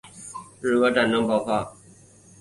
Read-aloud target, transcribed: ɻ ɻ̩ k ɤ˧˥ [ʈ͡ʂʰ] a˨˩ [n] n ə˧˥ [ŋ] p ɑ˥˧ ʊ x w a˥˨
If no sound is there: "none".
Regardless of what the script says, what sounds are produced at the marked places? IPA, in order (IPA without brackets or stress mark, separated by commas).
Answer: ʈ͡ʂ, n, ŋ